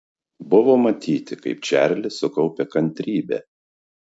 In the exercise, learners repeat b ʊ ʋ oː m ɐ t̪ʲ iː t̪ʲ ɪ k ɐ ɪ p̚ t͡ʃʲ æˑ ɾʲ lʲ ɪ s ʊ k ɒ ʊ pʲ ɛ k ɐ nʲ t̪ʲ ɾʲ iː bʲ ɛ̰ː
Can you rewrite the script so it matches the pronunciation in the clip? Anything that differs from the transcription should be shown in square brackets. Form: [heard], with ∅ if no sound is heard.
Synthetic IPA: b ʊ ʋ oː m ɐ t̪ʲ iː t̪ʲ ɪ k ɐ ɪ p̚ t͡ʃʲ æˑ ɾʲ lʲ ɪ s ʊ k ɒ ʊ pʲ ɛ k ɐ nʲ t̪ʲ ɾʲ iː bʲ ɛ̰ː

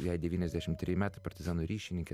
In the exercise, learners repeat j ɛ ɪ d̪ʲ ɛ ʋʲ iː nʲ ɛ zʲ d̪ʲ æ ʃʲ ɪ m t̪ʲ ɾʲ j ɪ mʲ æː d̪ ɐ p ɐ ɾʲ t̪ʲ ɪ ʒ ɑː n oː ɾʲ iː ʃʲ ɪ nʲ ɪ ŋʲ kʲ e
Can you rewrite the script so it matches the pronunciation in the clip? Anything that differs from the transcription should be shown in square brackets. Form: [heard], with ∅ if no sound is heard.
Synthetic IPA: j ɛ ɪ d̪ʲ ɛ ʋʲ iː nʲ ɛ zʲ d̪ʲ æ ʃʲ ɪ m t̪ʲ ɾʲ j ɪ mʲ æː [t̪] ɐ p ɐ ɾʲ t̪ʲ ɪ [z] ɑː n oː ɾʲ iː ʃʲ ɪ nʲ ɪ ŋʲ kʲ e

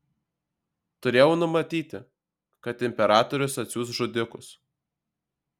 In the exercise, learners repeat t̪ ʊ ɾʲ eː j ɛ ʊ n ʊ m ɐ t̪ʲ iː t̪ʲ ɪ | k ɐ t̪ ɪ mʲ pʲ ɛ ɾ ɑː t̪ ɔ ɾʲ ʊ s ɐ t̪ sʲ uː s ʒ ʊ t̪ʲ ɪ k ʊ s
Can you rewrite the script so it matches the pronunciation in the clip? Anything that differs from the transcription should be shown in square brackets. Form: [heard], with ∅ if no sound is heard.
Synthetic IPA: t̪ ʊ ɾʲ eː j ɛ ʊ n ʊ m ɐ t̪ʲ iː t̪ʲ ɪ | k ɐ t̪ ɪ mʲ pʲ ɛ ɾ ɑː t̪ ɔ ɾʲ ʊ s ɐ t̪ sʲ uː s ʒ ʊ [d̪ʲ] ɪ k ʊ s

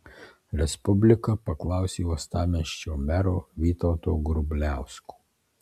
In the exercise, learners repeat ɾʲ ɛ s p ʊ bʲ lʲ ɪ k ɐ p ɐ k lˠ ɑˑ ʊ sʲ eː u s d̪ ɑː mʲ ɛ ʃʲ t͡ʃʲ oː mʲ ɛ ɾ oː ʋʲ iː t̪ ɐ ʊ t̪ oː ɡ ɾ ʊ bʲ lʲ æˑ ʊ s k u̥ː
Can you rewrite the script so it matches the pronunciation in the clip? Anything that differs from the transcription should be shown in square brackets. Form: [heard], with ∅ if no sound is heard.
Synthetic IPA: ɾʲ ɛ s p ʊ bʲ lʲ ɪ k ɐ p ɐ k lˠ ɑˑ ʊ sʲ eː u s [t̪] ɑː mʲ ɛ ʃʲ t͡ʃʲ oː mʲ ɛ ɾ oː ʋʲ iː t̪ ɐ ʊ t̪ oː ɡ ɾ ʊ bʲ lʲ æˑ ʊ s k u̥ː

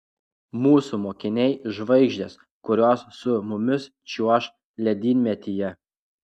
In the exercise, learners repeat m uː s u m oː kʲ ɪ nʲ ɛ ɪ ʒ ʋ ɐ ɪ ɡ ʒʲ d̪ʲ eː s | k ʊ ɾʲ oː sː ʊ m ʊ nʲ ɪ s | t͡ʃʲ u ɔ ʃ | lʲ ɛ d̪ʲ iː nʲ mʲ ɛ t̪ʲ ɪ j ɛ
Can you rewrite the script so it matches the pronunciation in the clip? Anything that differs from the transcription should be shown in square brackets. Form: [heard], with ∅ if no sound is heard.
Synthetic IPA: m uː s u m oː kʲ ɪ nʲ ɛ ɪ ʒ ʋ ɐ ɪ ɡ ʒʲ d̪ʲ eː s | k ʊ ɾʲ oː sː ʊ m ʊ [mʲ] ɪ s | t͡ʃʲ u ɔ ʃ | lʲ ɛ d̪ʲ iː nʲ mʲ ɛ t̪ʲ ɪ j ɛ

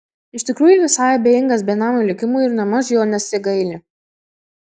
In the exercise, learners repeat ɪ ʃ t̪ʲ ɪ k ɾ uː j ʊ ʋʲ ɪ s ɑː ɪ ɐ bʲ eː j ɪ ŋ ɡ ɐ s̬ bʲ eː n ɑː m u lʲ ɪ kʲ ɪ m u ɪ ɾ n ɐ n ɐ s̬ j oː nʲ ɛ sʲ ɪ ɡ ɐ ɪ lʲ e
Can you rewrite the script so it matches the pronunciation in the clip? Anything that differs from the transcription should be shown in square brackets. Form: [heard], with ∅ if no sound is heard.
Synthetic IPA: ɪ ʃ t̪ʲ ɪ k ɾ uː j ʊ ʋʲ ɪ s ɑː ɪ ɐ bʲ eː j ɪ ŋ ɡ ɐ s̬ bʲ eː n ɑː m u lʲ ɪ kʲ ɪ m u ɪ ɾ n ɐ [m] ɐ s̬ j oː nʲ ɛ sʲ ɪ ɡ ɐ ɪ lʲ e

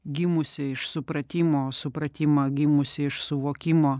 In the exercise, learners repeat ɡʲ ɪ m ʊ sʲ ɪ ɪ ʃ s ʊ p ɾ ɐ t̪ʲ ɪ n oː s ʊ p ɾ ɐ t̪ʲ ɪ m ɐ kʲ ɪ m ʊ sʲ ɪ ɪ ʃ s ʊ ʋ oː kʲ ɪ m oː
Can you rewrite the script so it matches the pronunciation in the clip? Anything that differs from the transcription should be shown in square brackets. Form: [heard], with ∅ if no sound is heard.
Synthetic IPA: ɡʲ ɪ m ʊ sʲ ɪ ɪ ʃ s ʊ p ɾ ɐ t̪ʲ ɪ [m] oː s ʊ p ɾ ɐ t̪ʲ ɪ m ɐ [ɡʲ] ɪ m ʊ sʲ ɪ ɪ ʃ s ʊ ʋ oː kʲ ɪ m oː

